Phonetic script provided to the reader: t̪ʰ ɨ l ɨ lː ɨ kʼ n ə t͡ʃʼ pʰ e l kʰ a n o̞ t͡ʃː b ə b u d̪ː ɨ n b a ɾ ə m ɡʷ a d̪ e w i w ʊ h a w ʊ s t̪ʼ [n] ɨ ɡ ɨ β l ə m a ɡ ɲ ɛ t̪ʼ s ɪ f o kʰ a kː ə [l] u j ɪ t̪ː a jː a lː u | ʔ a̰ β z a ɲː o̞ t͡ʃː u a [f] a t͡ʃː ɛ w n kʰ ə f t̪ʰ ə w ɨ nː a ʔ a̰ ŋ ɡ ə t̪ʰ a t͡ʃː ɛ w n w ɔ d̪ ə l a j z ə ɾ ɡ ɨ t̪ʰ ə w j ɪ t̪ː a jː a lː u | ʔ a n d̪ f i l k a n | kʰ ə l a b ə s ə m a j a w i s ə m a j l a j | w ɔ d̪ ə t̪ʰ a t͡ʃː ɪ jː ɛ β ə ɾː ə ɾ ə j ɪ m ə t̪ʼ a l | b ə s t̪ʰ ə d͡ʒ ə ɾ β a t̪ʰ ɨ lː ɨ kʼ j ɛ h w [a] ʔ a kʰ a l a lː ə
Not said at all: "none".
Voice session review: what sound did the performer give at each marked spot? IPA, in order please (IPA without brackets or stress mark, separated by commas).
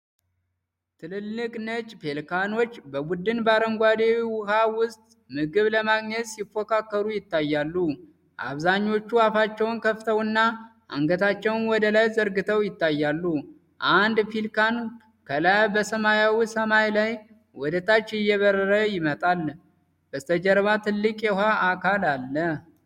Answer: m, ɾ, f, a